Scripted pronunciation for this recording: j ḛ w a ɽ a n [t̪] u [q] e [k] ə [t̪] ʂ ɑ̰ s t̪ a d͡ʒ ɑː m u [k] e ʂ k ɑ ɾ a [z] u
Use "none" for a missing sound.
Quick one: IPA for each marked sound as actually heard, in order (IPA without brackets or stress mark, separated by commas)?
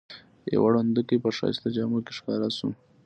d̪, k, p, none, k, s